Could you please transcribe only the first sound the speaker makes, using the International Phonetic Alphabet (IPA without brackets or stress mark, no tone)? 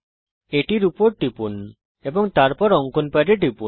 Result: e